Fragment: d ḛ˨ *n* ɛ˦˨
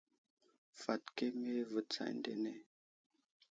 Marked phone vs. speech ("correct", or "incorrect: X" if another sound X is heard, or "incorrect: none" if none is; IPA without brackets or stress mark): correct